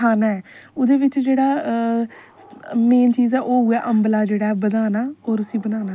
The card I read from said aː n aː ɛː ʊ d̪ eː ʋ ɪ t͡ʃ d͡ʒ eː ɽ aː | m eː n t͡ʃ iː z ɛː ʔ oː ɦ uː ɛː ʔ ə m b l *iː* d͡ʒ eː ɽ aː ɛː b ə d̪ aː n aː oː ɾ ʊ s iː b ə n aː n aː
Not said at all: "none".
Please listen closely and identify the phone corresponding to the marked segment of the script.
aː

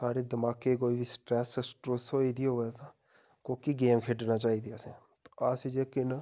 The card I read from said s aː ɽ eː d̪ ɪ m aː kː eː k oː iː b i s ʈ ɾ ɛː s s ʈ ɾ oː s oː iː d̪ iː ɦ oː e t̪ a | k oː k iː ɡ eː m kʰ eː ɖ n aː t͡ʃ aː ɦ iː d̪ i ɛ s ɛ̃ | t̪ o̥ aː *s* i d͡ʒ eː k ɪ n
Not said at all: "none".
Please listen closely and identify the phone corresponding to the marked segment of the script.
s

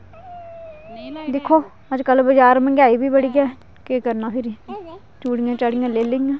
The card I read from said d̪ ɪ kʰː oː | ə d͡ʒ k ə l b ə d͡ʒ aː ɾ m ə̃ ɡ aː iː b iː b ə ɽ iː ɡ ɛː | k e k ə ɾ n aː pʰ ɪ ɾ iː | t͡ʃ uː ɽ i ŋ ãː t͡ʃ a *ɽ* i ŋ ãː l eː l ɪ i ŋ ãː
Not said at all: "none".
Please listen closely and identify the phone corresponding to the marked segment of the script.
ɽ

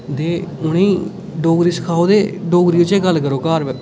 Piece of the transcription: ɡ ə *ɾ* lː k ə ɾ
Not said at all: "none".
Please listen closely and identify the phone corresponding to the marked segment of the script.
none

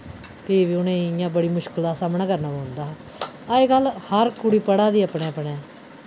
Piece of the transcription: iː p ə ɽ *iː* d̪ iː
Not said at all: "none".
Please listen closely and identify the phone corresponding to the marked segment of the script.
aː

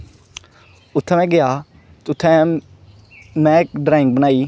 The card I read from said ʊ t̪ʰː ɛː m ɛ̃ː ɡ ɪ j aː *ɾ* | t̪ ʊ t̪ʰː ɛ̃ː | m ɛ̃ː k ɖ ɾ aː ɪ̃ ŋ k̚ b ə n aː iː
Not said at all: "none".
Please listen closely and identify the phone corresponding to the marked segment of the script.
none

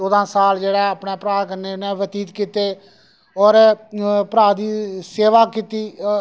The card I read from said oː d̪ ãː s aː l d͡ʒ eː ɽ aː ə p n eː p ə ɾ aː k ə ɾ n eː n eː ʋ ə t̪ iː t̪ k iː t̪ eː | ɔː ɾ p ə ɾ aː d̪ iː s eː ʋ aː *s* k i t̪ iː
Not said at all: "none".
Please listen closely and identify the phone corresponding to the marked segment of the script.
none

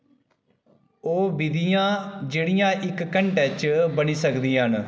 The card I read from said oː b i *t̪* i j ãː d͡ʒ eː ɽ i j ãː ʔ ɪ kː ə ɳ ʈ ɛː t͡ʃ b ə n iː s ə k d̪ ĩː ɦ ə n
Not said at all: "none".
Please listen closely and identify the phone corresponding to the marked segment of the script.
d̪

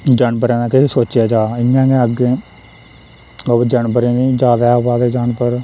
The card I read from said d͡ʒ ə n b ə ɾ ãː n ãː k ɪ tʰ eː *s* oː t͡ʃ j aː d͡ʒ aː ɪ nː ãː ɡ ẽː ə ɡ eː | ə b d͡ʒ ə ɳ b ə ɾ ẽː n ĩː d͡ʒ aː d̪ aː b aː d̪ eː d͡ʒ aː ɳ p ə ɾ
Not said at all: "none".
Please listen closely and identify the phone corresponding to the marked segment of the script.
s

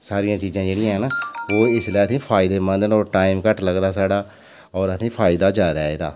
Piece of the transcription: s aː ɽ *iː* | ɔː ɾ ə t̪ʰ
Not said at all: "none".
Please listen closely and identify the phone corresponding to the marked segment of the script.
aː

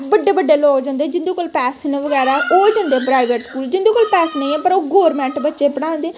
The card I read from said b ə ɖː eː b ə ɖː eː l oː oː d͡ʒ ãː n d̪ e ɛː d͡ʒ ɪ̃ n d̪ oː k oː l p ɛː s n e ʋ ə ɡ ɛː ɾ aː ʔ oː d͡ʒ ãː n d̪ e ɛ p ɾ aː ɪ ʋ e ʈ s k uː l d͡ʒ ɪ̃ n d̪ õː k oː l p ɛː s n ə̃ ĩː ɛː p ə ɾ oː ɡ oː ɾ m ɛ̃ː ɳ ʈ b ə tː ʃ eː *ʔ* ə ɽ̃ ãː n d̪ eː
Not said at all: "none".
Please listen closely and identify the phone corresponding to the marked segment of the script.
p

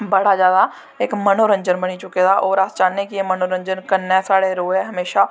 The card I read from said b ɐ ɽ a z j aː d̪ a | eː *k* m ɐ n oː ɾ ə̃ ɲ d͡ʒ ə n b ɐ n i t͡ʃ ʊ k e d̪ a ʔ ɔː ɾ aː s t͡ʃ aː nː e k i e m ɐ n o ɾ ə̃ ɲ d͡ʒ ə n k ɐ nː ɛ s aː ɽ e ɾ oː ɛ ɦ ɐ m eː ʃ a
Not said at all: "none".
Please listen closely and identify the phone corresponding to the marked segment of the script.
k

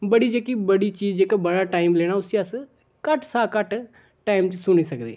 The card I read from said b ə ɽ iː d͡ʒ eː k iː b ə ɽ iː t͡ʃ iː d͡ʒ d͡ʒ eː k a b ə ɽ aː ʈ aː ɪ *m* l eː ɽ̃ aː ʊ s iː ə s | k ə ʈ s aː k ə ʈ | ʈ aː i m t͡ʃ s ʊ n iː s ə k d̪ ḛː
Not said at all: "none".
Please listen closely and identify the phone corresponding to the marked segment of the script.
m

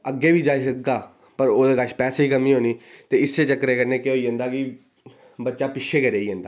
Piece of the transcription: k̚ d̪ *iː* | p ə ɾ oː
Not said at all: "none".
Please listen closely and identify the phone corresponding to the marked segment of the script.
aː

